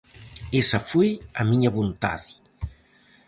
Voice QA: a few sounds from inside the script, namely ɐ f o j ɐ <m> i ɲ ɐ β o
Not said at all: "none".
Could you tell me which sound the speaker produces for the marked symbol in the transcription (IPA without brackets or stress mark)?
m